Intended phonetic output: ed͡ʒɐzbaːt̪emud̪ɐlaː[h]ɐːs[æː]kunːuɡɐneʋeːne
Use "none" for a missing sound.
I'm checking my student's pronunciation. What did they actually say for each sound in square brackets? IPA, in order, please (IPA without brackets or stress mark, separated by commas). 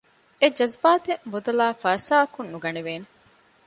f, aː